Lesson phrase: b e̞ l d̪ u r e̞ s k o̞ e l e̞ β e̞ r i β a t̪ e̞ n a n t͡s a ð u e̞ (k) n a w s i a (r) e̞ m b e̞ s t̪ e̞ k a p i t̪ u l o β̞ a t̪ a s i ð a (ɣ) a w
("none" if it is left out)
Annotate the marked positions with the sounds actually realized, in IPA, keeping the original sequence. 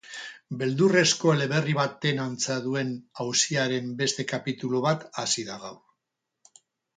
none, ɾ, ɣ

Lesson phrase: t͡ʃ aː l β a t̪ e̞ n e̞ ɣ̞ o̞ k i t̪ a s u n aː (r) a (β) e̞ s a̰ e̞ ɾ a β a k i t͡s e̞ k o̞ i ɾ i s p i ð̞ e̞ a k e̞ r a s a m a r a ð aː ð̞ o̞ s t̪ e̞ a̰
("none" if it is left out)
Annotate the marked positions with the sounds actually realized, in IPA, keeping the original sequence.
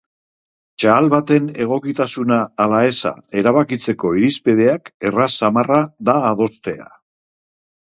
l, none

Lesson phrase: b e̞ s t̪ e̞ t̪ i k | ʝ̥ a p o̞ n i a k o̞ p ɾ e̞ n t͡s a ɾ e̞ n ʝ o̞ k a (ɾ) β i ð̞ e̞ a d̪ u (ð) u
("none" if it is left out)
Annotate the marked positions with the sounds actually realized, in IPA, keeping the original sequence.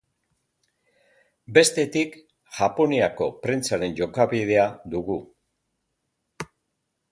none, ɣ

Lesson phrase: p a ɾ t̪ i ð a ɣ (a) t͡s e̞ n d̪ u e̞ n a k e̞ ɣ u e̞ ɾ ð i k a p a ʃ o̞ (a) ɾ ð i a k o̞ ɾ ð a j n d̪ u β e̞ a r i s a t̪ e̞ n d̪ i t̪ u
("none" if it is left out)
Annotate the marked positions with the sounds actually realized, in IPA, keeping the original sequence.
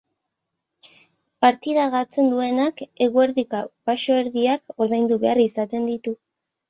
a, e

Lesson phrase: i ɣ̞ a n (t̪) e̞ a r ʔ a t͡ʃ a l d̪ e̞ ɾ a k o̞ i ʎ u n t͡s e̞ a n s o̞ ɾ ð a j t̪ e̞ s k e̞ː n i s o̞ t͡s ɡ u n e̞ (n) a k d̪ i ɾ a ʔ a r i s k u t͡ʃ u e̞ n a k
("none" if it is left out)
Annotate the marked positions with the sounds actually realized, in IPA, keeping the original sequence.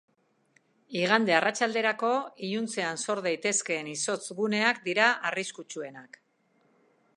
d̪, none

